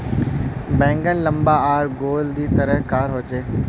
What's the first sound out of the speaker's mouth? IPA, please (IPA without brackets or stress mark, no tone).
b